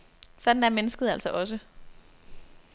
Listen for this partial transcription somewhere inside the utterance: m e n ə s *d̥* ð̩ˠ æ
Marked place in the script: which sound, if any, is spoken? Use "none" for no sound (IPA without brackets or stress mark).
ɡ̥